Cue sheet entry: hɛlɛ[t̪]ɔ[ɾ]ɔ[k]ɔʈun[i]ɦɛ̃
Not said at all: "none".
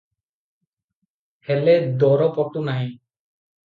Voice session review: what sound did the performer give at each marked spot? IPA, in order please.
d̪, ɾ, p, a

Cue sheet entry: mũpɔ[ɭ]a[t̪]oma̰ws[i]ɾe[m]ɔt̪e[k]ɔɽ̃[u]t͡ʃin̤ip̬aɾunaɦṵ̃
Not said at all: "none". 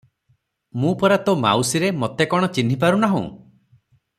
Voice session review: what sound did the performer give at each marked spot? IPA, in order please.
ɾ, t̪, i, m, k, ɔ

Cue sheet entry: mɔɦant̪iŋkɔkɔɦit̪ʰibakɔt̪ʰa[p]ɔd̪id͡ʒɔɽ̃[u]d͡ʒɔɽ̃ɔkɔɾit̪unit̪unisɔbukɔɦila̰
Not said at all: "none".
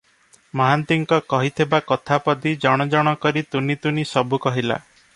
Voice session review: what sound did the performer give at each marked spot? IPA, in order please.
p, ɔ

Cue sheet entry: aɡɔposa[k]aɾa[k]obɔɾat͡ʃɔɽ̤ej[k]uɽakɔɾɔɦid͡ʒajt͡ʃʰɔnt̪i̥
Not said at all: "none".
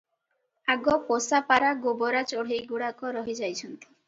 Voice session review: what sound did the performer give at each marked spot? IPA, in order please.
p, ɡ, ɡ

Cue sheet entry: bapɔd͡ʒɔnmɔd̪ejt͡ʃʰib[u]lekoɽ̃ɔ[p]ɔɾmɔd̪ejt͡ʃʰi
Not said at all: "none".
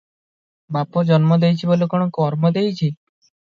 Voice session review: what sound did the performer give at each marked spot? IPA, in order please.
o, k

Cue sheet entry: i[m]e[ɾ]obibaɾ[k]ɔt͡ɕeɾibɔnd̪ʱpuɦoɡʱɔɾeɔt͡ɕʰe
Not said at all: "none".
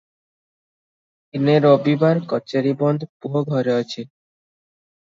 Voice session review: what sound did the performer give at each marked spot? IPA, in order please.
n, ɾ, k

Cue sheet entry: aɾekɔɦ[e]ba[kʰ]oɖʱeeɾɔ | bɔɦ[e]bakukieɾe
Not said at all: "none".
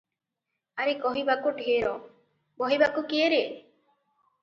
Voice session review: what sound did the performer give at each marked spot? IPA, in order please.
i, k, i

